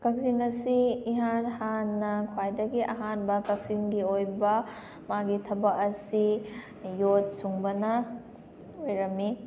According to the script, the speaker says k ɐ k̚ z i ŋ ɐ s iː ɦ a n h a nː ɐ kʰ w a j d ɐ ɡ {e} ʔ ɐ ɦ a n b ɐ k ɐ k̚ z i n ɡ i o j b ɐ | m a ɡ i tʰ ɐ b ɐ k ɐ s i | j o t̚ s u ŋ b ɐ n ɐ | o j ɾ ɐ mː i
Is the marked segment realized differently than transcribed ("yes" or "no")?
yes